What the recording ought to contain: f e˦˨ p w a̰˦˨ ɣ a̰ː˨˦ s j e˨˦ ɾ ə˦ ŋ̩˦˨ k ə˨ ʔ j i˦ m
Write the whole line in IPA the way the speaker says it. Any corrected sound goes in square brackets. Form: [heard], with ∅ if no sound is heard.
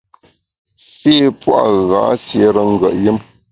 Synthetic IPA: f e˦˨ p w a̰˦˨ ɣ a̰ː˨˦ s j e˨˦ ɾ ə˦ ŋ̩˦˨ [ɡ] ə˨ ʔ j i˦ m